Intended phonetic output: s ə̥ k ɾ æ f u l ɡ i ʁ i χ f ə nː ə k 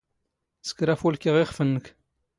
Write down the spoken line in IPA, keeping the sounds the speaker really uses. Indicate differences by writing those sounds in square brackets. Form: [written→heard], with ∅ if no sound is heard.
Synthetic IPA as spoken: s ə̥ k ɾ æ f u l [ɡ→k] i ʁ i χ f ə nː ə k